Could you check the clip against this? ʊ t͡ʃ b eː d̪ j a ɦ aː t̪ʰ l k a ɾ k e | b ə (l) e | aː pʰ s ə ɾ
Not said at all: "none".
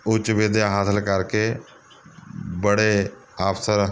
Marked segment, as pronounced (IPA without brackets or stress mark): ɽ